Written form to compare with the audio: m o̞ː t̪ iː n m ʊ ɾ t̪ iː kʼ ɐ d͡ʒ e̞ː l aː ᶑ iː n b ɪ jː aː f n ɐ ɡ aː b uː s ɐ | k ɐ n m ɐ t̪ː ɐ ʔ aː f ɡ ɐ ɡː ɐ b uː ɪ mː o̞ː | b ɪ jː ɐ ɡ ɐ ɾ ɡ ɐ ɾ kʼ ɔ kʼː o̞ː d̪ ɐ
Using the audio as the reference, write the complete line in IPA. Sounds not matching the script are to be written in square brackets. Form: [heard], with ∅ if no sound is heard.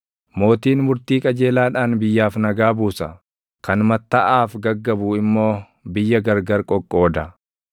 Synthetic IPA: m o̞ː t̪ iː n m ʊ ɾ t̪ iː kʼ ɐ d͡ʒ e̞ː l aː ᶑ [aː] n b ɪ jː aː f n ɐ ɡ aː b uː s ɐ | k ɐ n m ɐ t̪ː ɐ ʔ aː f ɡ ɐ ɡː ɐ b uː ɪ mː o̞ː | b ɪ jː ɐ ɡ ɐ ɾ ɡ ɐ ɾ kʼ ɔ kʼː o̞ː d̪ ɐ